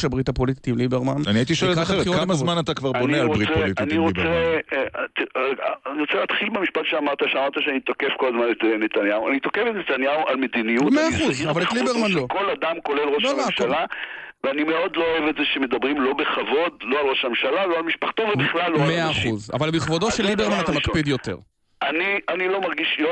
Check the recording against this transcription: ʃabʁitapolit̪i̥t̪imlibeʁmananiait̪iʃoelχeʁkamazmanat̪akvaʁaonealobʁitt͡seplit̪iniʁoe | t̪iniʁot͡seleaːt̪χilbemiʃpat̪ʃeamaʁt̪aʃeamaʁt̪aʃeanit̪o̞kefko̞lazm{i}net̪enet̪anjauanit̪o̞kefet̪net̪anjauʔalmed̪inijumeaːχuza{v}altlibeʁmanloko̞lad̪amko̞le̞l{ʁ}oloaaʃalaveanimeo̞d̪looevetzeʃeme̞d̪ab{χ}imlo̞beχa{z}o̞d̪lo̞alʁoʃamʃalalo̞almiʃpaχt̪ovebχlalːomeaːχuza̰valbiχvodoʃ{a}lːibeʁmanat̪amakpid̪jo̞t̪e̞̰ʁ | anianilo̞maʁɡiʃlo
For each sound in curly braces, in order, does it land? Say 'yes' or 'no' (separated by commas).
no, yes, yes, no, no, no